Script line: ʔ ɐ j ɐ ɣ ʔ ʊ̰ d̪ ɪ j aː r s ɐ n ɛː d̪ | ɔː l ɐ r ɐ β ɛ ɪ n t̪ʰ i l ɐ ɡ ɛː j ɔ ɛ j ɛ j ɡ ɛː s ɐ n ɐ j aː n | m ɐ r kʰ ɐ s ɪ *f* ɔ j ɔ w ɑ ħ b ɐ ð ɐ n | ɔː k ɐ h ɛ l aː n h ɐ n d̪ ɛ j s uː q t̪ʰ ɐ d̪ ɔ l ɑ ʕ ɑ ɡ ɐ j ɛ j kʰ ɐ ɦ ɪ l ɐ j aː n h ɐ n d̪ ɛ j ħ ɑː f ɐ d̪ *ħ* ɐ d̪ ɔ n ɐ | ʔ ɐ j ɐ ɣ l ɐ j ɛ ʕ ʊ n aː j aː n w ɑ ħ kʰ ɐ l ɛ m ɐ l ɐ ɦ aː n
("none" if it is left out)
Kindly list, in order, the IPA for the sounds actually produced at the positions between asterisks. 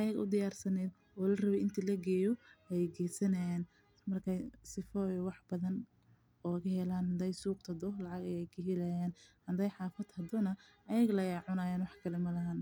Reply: f, h

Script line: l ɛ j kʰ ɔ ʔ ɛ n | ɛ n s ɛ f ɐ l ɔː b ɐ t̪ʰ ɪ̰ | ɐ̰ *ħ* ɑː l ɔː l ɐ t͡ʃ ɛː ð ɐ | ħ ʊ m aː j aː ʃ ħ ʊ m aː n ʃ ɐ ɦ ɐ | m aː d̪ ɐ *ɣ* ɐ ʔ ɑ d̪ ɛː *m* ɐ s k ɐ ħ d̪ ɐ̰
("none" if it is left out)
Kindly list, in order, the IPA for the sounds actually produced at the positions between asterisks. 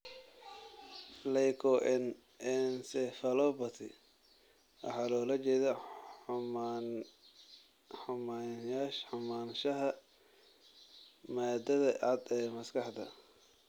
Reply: ħ, ð, m

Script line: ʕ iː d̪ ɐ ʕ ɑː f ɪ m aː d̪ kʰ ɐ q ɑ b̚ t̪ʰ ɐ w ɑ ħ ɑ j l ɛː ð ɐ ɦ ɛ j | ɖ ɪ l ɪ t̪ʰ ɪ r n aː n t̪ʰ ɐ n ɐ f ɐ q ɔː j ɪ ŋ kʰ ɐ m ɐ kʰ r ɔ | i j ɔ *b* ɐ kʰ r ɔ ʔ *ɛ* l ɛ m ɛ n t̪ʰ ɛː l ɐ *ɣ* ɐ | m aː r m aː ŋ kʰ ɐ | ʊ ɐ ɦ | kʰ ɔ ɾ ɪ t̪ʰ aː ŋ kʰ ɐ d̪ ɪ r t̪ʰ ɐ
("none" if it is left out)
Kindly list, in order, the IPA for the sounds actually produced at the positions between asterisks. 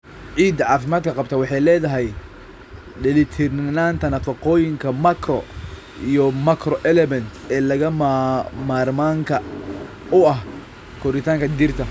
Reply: m, ɛ, ɣ

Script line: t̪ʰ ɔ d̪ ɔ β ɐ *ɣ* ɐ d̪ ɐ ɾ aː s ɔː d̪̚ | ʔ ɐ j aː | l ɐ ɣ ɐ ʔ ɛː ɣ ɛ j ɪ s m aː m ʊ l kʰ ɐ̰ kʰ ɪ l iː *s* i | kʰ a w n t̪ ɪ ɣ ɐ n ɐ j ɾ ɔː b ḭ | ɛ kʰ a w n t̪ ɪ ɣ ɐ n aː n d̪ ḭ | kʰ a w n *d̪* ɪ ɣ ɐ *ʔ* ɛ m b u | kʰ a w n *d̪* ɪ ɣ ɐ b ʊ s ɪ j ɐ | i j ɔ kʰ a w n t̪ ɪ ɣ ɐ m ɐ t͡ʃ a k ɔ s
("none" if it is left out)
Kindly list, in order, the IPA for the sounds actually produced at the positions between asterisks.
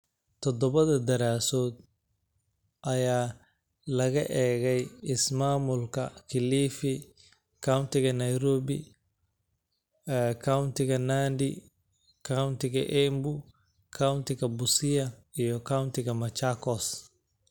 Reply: ð, f, t̪, ʔ, t̪

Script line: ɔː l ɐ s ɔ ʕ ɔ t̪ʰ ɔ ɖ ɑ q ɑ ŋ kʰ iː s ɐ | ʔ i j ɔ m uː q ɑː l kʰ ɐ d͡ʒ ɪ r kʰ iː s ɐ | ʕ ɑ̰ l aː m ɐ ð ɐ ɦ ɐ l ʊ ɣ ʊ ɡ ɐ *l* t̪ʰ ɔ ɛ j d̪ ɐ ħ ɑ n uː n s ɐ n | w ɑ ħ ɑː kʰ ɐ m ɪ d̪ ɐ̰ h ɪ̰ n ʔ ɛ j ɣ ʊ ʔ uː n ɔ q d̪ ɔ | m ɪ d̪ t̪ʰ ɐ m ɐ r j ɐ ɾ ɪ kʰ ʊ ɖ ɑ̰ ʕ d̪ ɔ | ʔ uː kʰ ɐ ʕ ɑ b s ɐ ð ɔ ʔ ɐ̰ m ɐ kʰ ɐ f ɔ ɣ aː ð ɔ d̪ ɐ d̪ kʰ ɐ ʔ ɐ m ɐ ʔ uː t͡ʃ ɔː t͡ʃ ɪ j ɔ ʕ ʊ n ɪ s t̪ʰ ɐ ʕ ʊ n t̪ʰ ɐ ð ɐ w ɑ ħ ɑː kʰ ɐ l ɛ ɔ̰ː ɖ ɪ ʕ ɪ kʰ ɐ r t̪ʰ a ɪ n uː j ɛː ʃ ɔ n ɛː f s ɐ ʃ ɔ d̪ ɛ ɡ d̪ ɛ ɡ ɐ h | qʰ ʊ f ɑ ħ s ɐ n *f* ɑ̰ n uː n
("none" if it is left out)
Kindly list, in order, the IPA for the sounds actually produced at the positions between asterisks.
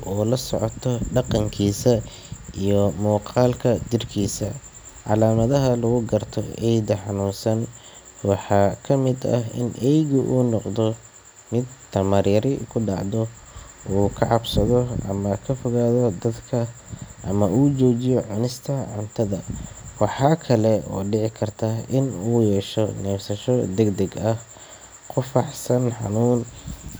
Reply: r, ħ

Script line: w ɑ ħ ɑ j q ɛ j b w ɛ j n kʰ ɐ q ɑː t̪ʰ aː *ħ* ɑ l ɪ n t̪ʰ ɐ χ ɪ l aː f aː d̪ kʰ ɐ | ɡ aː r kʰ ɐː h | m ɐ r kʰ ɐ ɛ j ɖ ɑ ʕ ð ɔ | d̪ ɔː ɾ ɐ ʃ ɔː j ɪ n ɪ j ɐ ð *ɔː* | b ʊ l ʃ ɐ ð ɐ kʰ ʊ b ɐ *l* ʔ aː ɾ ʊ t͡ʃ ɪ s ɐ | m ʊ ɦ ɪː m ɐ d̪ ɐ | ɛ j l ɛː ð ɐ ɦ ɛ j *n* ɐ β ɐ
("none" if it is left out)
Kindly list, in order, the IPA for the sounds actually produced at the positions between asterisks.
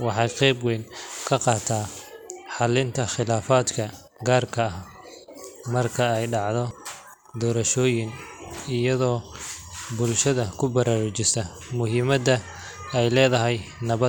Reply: ħ, ɔː, ɾ, n

